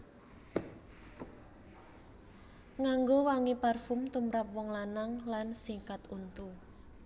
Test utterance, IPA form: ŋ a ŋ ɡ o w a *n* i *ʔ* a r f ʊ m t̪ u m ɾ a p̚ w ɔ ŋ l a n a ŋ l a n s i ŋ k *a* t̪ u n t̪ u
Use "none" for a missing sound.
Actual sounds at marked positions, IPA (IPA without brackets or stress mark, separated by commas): ŋ, p, a